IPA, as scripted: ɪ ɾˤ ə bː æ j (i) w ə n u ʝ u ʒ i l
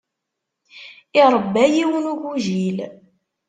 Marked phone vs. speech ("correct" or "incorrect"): correct